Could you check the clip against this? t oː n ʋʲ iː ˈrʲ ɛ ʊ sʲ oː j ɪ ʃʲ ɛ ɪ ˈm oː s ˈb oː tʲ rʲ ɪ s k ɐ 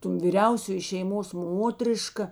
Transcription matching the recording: t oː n ʋʲ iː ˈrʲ ɛ ʊ sʲ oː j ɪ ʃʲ ɛ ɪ ˈm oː s ˈm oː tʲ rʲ ɪ ʃ k ɐ